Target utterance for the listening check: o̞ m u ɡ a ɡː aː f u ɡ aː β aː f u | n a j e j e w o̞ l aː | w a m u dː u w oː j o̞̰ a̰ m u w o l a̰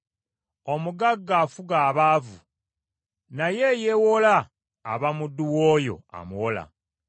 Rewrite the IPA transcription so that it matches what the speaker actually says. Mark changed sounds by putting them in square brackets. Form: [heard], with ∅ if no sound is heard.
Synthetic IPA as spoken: o̞ m u ɡ a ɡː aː f u ɡ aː β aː [v] u | n a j e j e w o̞ l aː | [β] a m u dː u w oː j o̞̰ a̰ m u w o l a̰

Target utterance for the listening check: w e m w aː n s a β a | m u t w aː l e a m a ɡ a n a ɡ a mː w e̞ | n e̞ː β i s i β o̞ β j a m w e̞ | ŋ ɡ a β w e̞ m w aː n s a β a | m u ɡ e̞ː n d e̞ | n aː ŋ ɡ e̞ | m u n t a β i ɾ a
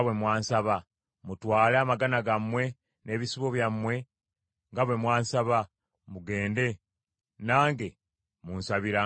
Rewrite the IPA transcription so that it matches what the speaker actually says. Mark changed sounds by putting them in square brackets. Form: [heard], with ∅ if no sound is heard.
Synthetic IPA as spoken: w e m w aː n s a β a | m u t w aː l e a m a ɡ a n a ɡ a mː w e̞ | n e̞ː β i s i β o̞ β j a m w e̞ | ŋ ɡ a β w e̞ m w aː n s a β a | m u ɡ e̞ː n d e̞ | n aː ŋ ɡ e̞ | m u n [s] a β i ɾ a

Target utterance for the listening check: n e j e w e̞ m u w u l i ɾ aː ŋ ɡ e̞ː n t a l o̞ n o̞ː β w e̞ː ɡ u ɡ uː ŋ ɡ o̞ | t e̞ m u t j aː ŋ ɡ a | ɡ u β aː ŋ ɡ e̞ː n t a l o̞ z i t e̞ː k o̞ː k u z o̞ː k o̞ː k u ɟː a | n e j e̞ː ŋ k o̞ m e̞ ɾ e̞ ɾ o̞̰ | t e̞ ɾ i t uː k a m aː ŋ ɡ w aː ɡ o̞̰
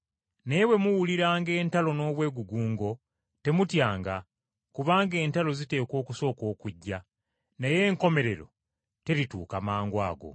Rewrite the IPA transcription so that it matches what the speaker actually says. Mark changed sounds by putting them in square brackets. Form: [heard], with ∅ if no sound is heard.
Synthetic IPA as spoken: n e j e w e̞ m u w u l i ɾ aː ŋ ɡ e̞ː n t a l o̞ n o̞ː β w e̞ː ɡ u ɡ uː ŋ ɡ o̞ | t e̞ m u t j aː ŋ ɡ a | [k] u β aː ŋ ɡ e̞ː n t a l o̞ z i t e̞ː k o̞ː k u [s] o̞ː k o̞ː k u ɟː a | n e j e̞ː ŋ k o̞ m e̞ ɾ e̞ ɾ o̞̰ | t e̞ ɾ i t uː k a m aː ŋ ɡ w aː ɡ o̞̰

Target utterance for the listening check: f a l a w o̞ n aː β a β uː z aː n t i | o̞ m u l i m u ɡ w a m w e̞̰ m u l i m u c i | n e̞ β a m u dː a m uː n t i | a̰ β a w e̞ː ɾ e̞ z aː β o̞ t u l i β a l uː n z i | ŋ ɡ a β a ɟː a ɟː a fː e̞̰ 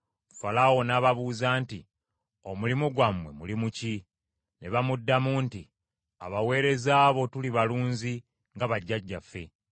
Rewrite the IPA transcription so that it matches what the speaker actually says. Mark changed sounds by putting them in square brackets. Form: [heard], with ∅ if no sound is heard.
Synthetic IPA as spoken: f a l a w o̞ n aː β a β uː z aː n t i | o̞ m u l i m u ɡ w a m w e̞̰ m u l i m u c i | n e̞ β a m u dː a m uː n t i | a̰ β a w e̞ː ɾ e̞ z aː β o̞ t u l i β a l uː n z i | ŋ ɡ a β a ɟː a ɟː a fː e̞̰

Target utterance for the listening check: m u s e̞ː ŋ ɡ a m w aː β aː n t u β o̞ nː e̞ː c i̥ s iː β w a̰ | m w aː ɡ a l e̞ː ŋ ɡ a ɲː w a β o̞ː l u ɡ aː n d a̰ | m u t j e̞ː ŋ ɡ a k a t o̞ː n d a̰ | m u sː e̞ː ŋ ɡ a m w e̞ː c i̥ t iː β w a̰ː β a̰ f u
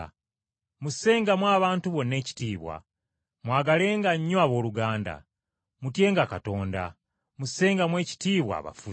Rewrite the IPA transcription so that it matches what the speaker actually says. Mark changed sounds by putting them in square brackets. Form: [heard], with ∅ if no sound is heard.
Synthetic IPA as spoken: m u s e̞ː ŋ ɡ a m w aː β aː n t u β o̞ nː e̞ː c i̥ [t] iː β w a̰ | m w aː ɡ a l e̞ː ŋ ɡ a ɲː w a β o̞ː l u ɡ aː n d a̰ | m u t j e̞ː ŋ ɡ a k a t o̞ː n d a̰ | m u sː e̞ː ŋ ɡ a m w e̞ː c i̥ t iː β w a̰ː β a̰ f u

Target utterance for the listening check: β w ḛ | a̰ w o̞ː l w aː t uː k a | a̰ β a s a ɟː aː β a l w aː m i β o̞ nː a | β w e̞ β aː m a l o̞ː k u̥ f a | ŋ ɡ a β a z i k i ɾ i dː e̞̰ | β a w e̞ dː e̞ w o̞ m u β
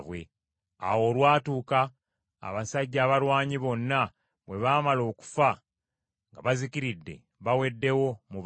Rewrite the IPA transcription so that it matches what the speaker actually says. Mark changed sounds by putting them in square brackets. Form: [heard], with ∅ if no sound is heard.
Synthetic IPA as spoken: β w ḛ | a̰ w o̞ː l w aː t uː k a | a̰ β a s a ɟː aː β a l w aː [ɲ] i β o̞ nː a | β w e̞ β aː m a l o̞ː k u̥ f a | ŋ ɡ a β a z i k i ɾ i dː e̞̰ | β a w e̞ dː e̞ w o̞ m u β

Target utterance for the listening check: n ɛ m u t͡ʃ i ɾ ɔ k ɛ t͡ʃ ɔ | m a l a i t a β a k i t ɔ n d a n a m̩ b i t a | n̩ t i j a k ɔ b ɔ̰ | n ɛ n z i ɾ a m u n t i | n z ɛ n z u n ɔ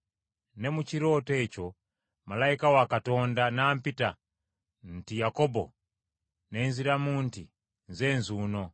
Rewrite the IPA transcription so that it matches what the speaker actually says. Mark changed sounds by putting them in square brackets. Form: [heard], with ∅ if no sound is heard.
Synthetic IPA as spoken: n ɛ m u t͡ʃ i ɾ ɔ [t] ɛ t͡ʃ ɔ | m a l a i [k] a [w] a k [a] t ɔ n d a n a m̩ [p] i t a | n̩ t i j a k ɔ b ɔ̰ | n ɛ n z i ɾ a m u n t i | n z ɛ n z u n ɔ

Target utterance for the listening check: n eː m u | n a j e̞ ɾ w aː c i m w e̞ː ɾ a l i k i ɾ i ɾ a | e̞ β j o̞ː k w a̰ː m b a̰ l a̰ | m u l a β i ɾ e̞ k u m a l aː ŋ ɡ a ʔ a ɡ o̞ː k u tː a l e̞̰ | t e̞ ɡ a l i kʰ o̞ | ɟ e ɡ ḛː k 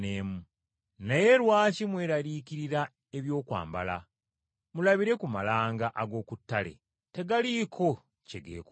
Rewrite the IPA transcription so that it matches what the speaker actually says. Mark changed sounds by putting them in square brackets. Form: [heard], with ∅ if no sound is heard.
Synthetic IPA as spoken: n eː m u | n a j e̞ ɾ w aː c i m w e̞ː ɾ a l i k i ɾ i ɾ a | e̞ β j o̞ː k w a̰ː m b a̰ l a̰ | m u l a β i ɾ e̞ k u m a l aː ŋ ɡ a ʔ a ɡ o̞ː k u tː a l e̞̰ | t e̞ ɡ a l i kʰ o̞ | [c] e ɡ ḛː k

